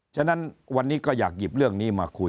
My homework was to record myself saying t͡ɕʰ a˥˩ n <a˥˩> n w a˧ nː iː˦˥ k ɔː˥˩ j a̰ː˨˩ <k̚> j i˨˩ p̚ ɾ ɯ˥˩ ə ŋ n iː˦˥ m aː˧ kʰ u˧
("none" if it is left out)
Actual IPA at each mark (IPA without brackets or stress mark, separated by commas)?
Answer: a˦˥, k̚